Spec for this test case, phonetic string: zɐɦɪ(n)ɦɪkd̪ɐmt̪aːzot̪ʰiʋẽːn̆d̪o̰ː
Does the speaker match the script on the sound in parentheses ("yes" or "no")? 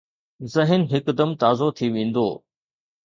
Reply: yes